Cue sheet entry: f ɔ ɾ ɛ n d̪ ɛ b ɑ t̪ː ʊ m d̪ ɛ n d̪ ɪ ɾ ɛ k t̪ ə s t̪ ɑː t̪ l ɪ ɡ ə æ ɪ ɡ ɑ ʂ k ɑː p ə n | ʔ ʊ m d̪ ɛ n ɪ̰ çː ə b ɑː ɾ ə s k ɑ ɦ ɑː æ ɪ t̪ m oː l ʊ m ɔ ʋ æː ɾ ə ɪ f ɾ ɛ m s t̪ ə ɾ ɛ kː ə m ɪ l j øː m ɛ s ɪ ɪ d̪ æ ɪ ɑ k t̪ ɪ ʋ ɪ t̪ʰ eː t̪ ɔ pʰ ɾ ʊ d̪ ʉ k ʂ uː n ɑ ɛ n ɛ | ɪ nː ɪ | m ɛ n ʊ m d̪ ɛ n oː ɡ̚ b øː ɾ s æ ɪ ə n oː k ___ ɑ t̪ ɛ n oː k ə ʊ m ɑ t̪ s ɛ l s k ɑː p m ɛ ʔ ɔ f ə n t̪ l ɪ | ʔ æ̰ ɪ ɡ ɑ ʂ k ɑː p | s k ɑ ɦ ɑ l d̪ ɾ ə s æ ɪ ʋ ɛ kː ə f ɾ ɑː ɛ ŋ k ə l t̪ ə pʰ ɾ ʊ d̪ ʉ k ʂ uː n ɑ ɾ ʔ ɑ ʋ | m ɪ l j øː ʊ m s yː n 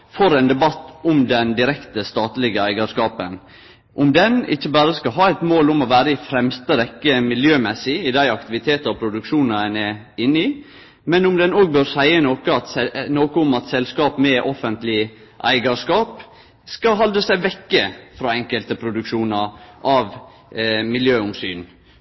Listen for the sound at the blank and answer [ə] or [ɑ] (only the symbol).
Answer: ə